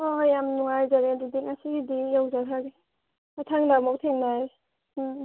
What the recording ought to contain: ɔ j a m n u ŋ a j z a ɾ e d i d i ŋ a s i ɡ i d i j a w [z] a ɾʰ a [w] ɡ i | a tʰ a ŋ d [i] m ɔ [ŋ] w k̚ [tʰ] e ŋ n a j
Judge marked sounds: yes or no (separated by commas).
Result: yes, no, no, no, yes